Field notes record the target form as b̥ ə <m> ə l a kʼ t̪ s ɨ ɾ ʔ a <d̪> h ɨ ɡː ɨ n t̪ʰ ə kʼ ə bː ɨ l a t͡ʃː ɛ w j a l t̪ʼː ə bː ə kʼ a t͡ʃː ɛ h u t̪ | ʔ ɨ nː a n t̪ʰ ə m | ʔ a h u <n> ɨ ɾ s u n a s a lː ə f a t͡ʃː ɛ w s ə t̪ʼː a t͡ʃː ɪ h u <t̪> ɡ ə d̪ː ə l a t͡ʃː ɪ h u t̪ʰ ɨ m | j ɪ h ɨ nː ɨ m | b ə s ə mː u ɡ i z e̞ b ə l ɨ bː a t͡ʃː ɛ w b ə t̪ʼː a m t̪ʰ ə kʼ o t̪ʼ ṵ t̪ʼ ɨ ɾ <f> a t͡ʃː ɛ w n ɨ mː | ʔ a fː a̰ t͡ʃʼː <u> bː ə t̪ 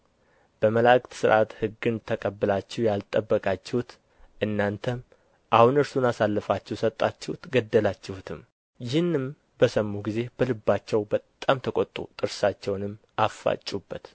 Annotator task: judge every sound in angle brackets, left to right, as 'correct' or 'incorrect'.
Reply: correct, incorrect, correct, correct, incorrect, correct

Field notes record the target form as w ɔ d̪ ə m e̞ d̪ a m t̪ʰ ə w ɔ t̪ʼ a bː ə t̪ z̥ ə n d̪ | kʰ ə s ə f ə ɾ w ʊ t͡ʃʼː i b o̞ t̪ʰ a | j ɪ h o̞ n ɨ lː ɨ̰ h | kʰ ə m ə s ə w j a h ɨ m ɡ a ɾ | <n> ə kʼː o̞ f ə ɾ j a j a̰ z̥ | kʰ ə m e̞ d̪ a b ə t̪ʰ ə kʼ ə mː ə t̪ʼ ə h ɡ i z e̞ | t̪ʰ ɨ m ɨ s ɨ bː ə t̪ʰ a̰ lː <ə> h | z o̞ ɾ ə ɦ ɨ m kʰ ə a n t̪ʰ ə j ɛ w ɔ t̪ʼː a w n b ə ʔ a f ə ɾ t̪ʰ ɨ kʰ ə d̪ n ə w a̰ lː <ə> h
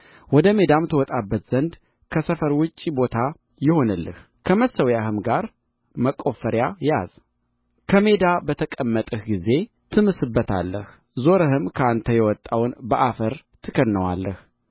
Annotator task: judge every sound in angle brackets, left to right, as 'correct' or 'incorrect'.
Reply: incorrect, correct, correct

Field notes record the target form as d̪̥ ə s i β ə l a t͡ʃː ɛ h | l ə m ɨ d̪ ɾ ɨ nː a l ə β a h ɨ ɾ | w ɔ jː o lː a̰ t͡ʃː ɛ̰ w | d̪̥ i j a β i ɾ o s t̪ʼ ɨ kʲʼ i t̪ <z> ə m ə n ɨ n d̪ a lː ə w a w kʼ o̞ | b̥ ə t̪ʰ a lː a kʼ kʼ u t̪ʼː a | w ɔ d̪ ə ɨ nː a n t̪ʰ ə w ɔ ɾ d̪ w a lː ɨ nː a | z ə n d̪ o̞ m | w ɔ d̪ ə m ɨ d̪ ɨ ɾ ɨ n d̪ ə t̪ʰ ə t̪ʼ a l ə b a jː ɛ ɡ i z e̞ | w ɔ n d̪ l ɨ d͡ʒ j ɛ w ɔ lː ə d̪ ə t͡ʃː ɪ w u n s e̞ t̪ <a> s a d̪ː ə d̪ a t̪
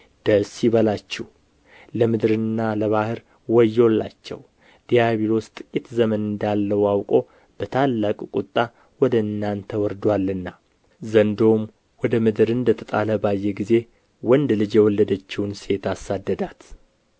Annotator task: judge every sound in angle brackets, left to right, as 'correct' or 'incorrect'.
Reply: correct, correct

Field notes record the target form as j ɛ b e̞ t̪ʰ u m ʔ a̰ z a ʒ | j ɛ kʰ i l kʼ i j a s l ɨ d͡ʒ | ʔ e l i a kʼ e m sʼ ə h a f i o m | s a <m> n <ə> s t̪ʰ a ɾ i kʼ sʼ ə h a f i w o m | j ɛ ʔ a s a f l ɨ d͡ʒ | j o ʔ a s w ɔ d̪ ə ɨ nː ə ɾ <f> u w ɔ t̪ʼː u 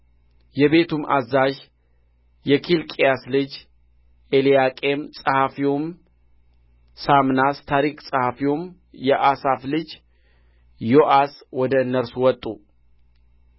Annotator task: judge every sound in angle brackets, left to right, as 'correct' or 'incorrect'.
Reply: correct, incorrect, incorrect

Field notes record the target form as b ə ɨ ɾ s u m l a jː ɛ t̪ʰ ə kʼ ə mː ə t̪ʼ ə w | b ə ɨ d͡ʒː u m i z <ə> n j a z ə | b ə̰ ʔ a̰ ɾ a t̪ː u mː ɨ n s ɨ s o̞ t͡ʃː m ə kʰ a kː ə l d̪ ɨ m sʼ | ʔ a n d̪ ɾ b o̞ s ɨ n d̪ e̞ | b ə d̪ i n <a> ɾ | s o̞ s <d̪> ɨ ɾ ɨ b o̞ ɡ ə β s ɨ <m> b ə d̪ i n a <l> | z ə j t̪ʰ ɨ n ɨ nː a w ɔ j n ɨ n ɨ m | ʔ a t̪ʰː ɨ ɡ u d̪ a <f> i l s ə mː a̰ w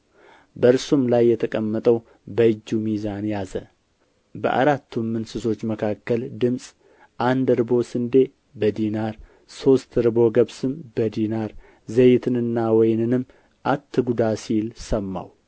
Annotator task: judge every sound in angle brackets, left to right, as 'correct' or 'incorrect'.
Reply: incorrect, correct, incorrect, correct, incorrect, incorrect

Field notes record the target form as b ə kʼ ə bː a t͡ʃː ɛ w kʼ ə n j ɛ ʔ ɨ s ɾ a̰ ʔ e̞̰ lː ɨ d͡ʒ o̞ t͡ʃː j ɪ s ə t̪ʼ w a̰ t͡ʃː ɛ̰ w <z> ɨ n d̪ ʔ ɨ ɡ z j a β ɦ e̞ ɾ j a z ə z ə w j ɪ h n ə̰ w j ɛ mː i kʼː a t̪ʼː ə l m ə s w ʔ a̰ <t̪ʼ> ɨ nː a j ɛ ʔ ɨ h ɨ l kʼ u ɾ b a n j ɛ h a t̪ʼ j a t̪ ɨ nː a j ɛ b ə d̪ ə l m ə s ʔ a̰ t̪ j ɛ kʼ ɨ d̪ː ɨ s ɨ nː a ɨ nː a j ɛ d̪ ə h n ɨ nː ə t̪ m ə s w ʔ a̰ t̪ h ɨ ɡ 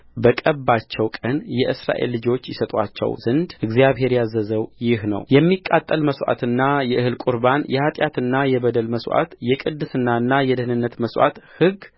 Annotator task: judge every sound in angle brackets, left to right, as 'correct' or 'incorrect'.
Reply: correct, incorrect

